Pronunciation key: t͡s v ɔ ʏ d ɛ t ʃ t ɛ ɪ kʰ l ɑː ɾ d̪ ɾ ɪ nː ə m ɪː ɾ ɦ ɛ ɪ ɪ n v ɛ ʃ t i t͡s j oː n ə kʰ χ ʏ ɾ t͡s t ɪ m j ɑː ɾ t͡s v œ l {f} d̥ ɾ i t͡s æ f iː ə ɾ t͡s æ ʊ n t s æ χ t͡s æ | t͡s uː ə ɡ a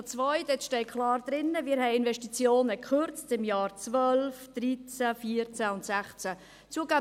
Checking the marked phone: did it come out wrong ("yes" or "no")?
no